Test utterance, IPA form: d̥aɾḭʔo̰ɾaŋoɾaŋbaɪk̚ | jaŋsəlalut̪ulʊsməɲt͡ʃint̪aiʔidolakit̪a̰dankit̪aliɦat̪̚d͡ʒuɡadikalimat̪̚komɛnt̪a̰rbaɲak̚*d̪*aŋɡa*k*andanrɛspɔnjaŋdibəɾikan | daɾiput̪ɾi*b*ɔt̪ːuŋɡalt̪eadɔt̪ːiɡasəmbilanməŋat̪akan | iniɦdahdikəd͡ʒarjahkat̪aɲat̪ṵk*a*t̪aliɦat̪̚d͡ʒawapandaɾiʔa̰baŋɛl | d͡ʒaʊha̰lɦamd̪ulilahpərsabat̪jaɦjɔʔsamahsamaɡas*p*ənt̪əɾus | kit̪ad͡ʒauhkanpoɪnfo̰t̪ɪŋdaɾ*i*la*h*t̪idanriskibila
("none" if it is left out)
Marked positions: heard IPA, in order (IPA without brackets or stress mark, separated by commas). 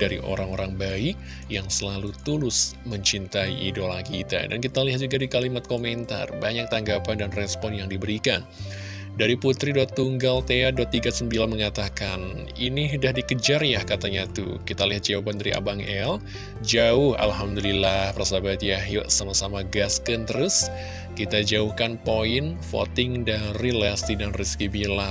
t̪, p, d, i, k, i, s